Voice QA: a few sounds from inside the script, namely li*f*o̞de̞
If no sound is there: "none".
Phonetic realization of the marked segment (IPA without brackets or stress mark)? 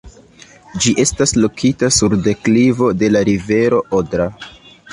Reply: v